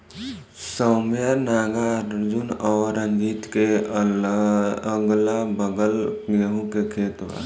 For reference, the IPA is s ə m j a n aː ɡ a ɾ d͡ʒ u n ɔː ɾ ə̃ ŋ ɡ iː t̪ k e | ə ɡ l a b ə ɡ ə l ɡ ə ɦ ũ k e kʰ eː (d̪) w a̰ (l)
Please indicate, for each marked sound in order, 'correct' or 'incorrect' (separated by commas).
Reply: incorrect, incorrect